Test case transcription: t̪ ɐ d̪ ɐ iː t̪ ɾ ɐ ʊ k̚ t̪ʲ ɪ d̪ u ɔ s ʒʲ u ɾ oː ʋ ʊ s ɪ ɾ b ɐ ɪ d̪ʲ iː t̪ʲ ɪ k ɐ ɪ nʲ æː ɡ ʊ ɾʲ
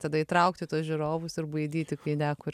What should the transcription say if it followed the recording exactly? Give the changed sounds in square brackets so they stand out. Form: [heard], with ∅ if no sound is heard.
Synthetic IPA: t̪ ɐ d̪ ɐ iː t̪ ɾ ɐ ʊ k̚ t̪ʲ ɪ [t̪] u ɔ s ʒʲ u ɾ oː ʋ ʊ s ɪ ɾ b ɐ ɪ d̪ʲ iː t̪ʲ ɪ k ɐ ɪ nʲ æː [k] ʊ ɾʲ